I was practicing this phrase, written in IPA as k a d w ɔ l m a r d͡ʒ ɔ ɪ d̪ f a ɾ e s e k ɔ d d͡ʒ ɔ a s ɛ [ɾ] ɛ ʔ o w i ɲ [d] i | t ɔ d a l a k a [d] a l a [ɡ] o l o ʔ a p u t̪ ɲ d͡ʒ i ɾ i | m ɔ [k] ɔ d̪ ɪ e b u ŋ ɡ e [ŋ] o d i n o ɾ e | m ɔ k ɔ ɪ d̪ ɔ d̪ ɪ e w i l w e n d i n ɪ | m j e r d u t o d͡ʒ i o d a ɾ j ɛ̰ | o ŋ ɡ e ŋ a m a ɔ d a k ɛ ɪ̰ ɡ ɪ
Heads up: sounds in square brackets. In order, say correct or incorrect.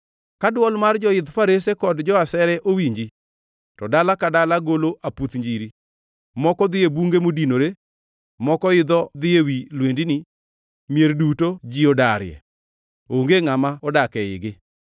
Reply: correct, incorrect, correct, correct, correct, incorrect

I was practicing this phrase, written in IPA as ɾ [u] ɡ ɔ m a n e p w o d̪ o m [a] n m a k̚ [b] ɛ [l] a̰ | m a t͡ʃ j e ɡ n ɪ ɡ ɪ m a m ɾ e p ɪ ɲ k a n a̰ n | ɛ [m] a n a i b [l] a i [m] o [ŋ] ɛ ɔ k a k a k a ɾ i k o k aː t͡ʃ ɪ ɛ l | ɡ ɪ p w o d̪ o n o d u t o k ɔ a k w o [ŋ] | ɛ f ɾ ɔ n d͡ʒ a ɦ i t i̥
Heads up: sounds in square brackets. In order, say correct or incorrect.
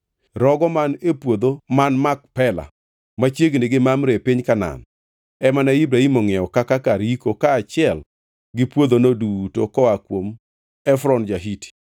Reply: incorrect, correct, incorrect, correct, correct, incorrect, correct, correct, incorrect

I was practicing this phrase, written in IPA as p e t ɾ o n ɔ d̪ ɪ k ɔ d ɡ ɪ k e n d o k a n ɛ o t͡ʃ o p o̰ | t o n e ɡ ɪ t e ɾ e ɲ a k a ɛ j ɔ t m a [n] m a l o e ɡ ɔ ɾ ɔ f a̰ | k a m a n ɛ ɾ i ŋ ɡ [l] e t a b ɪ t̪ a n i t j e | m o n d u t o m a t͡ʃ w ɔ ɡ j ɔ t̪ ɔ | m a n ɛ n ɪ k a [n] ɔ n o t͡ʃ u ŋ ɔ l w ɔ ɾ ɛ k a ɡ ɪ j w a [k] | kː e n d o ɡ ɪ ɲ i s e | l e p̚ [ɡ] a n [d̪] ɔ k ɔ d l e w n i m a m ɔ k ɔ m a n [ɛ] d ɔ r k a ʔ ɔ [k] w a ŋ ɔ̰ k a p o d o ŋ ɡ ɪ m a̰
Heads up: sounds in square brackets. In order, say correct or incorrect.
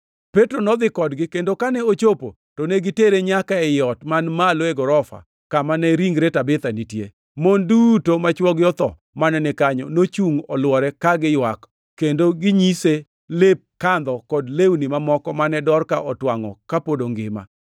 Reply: correct, incorrect, incorrect, correct, incorrect, correct, correct, incorrect

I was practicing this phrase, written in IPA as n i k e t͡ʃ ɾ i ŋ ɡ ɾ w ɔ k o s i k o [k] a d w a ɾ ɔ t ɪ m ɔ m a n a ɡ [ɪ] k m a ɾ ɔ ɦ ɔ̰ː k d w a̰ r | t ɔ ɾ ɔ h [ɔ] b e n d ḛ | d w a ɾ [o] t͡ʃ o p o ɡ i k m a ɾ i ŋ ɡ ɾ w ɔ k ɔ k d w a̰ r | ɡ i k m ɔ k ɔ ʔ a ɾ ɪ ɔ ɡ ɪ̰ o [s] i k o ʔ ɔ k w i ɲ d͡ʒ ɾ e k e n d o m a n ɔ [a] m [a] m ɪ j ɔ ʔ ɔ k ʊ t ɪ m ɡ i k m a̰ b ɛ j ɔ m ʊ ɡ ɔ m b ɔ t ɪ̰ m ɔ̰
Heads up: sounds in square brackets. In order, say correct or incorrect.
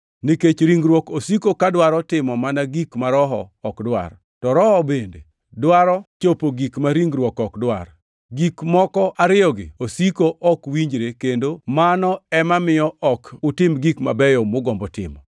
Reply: correct, incorrect, correct, incorrect, correct, incorrect, correct

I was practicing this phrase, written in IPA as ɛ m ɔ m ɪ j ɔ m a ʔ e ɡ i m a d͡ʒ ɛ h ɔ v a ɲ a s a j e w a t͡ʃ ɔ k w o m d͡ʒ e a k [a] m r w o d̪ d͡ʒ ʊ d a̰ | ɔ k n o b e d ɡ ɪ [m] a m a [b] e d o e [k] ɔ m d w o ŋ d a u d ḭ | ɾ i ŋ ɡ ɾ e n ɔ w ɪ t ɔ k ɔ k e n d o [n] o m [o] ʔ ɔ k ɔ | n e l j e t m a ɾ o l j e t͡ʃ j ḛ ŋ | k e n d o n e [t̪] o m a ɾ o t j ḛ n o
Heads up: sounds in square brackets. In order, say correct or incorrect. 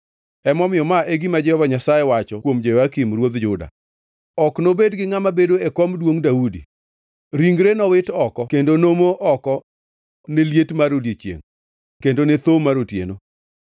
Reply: incorrect, incorrect, correct, correct, correct, correct, correct

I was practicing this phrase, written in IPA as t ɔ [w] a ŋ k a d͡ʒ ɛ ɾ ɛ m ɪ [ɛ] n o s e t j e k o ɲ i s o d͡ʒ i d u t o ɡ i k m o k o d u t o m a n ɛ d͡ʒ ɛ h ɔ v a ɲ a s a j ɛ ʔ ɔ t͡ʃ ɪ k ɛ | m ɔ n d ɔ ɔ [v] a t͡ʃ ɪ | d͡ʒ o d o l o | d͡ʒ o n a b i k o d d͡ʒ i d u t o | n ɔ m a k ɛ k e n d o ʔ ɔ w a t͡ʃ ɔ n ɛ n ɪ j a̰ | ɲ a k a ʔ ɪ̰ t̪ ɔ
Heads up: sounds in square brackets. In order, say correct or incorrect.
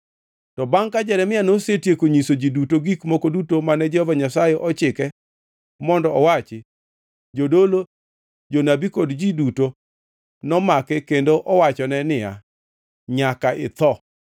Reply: incorrect, incorrect, incorrect

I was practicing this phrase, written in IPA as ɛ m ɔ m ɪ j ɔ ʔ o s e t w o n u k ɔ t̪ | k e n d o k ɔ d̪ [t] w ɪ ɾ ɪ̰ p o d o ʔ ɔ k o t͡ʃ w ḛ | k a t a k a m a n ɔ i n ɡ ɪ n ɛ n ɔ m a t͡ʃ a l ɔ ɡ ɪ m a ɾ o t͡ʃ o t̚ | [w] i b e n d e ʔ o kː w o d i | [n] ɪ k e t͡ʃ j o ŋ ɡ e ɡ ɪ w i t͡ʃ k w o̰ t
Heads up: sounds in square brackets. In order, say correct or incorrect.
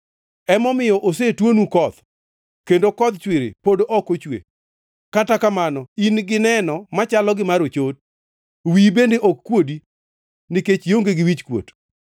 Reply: incorrect, correct, correct

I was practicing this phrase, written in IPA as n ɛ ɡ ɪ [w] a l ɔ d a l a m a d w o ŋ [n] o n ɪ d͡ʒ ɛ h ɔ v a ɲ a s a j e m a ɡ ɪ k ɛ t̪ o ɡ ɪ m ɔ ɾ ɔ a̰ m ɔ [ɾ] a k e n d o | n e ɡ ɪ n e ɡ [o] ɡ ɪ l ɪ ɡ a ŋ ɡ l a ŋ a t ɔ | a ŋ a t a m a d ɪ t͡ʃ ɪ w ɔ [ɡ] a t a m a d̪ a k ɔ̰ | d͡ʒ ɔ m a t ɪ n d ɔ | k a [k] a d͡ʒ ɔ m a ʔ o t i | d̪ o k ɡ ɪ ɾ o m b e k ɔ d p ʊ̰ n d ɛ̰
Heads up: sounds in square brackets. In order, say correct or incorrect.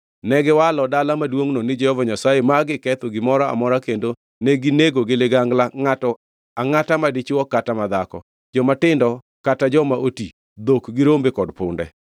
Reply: correct, correct, correct, correct, incorrect, incorrect

